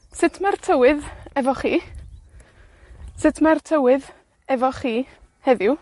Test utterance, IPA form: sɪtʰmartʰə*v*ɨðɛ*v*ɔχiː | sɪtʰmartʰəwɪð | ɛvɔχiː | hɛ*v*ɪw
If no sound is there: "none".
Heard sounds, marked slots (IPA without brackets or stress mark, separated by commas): w, v, ð